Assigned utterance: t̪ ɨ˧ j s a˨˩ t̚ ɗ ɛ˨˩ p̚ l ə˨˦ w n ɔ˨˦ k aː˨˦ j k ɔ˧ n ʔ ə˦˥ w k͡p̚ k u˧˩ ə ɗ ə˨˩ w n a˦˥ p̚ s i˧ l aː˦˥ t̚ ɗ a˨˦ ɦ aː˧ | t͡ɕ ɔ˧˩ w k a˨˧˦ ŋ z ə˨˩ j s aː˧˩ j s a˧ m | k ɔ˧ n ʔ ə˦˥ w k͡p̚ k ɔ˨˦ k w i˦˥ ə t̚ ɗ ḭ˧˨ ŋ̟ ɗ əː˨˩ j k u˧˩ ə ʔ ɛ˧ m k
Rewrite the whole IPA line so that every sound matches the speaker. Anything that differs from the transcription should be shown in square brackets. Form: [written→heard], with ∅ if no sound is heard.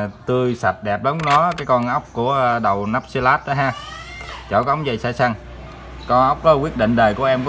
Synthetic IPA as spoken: t̪ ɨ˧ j s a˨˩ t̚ ɗ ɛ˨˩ p̚ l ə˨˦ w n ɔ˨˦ k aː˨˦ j k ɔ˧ n ʔ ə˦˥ w k͡p̚ k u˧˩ ə ɗ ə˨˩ w n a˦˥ p̚ s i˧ l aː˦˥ t̚ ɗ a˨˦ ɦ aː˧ | t͡ɕ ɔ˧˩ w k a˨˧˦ [ŋ→ŋ͡m] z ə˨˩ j s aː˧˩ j s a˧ [m→ŋ] | k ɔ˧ n ʔ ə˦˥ w k͡p̚ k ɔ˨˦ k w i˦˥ ə t̚ ɗ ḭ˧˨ ŋ̟ ɗ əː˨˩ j k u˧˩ ə ʔ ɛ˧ m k